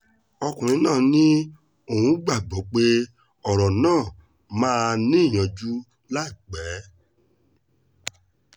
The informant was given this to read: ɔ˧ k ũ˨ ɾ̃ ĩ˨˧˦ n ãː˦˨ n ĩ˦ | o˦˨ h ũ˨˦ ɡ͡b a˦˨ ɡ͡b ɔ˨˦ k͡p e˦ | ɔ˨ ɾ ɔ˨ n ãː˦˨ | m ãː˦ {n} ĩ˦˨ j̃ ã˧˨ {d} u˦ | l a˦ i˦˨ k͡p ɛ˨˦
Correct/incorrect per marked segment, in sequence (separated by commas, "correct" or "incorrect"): correct, incorrect